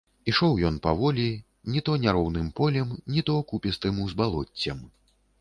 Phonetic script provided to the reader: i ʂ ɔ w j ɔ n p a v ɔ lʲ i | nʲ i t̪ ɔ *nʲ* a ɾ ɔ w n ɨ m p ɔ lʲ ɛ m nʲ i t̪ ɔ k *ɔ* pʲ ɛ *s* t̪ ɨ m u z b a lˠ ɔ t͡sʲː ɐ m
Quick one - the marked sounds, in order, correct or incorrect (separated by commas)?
correct, incorrect, correct